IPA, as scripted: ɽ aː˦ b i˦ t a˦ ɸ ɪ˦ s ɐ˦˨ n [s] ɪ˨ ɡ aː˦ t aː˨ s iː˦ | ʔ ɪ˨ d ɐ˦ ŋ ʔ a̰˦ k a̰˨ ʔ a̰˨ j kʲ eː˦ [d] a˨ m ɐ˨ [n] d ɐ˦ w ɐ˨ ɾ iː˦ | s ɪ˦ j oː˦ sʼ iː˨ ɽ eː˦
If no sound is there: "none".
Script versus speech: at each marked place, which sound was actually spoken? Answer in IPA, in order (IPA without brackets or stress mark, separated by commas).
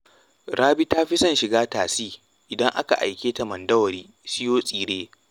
ʃ, t, n